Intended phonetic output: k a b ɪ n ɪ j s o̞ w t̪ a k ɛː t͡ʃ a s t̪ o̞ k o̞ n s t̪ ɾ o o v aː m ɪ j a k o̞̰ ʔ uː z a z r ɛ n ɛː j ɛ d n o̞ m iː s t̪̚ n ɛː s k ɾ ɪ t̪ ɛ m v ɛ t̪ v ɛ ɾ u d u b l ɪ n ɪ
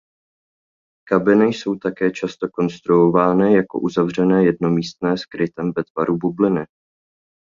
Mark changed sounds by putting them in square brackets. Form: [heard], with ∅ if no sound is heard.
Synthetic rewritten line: k a b ɪ n ɪ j s o̞ w t̪ a k ɛː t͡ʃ a s t̪ o̞ k o̞ n s t̪ ɾ [u] o v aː [n] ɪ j a k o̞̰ ʔ [u] z a [v] r ɛ n ɛː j ɛ d n o̞ m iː s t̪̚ n ɛː s k ɾ ɪ t̪ ɛ m v ɛ t̪ v [a] ɾ u [b] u b l ɪ n ɪ